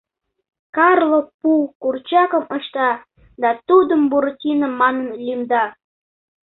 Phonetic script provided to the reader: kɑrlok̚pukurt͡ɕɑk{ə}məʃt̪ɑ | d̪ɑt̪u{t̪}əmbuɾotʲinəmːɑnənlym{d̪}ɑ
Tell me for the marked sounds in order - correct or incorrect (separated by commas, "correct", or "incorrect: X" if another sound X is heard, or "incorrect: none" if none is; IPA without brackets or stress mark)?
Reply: correct, incorrect: d̪, correct